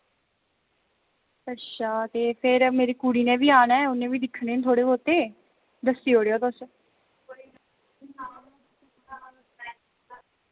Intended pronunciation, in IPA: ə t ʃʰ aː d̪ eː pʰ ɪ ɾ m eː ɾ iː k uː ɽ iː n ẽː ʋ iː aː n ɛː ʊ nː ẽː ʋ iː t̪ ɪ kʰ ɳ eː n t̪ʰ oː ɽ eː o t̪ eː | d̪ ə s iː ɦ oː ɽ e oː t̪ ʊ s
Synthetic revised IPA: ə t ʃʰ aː t̪ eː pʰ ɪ ɾ m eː ɾ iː k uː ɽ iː n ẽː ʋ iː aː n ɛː ʊ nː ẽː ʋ iː d̪ ɪ kʰ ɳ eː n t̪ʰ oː ɽ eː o t̪ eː | d̪ ə s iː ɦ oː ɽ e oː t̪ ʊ s

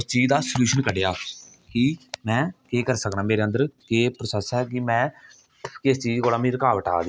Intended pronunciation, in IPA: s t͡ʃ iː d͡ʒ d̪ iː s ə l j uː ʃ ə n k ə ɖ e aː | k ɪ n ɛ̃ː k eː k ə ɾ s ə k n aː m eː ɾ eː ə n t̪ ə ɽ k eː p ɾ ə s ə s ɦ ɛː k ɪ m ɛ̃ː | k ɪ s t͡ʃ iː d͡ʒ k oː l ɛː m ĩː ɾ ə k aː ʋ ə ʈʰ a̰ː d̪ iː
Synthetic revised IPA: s t͡ʃ iː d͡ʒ d̪ aː s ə l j uː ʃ ə n k ə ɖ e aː | k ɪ m ɛ̃ː k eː k ə ɾ s ə k n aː m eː ɾ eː ə n d̪ ə ɾ k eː p ɾ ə s ə s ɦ ɛː k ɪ m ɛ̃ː | k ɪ s t͡ʃ iː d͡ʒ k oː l aː m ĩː ɾ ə k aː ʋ ə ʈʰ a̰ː d̪ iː

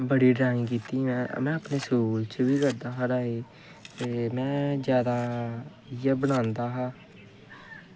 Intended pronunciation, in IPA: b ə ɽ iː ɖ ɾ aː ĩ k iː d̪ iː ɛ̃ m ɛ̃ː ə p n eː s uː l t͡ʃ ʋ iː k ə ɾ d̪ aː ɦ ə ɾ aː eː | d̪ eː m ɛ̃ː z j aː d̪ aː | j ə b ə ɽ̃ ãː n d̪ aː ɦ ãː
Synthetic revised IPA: b ə ɽ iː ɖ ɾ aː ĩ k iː t̪ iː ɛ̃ m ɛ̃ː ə p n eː s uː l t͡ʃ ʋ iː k ə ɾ d̪ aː ɦ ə ɾ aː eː | t̪ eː m ɛ̃ː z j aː d̪ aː | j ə b ə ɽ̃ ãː n d̪ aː ɦ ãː

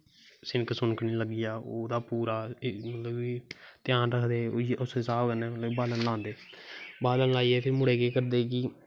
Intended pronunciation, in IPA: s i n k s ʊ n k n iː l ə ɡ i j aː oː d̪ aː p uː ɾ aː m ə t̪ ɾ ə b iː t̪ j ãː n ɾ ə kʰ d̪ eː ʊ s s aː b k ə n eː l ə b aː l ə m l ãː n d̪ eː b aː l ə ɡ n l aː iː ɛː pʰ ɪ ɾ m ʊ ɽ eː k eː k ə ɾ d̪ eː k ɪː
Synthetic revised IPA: s ɪ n k s ʊ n k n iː l ə ɡ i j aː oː d̪ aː p uː ɾ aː m ə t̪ l ə b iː t̪ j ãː n ɾ ə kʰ d̪ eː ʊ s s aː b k ə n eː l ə b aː l ə n l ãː n d̪ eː b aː l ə n l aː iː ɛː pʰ ɪ ɾ m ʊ ɽ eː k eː k ə ɾ d̪ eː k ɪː

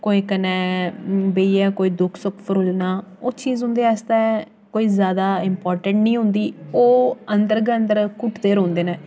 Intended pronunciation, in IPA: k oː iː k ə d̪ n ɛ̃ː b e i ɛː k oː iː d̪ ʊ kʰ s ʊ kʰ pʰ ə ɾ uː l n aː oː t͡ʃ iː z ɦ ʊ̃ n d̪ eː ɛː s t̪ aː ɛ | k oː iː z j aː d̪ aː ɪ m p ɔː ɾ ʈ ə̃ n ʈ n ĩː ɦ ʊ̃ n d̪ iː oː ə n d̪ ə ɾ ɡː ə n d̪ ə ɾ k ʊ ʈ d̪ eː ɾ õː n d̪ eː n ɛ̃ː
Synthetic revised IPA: k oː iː k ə n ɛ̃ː b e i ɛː k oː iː d̪ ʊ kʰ s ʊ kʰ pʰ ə ɾ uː l n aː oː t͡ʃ iː z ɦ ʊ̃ n d̪ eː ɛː s t̪ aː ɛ | k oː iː z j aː d̪ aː ɪ m p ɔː ɾ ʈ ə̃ ɳ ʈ n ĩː ɦ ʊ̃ n d̪ iː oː ə n d̪ ə ɾ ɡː ə n d̪ ə ɾ k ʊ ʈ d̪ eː ɾ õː n d̪ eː n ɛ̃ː

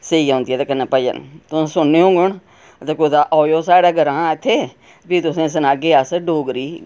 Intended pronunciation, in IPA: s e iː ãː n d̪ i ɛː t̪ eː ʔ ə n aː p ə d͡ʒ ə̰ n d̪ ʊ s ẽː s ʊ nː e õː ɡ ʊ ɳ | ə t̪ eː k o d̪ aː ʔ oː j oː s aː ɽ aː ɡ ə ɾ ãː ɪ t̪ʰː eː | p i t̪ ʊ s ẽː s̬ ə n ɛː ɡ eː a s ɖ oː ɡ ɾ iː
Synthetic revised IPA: s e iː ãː n d̪ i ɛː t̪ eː k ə n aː p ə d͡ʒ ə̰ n t̪ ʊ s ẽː s ʊ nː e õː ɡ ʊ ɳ | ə t̪ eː k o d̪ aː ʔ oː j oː s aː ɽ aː ɡ ə ɾ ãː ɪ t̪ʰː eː | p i t̪ ʊ s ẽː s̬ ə n aː ɡ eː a s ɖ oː ɡ ɾ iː

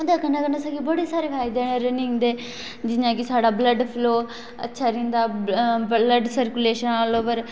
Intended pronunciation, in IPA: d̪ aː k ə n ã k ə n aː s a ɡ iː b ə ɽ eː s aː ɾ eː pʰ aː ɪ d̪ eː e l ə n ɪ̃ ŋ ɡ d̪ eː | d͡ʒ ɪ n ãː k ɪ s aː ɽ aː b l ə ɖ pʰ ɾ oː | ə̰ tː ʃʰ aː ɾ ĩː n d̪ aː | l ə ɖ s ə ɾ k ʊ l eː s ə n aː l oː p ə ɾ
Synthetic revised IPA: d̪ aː k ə n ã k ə n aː s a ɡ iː b ə ɽ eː s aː ɾ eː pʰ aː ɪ d̪ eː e ɾ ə n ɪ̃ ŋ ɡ d̪ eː | d͡ʒ ɪ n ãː k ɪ s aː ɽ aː b l ə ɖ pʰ l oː | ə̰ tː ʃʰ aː ɾ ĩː n d̪ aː | l ə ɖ s ə ɾ k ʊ l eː ʃ ə n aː l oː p ə ɾ

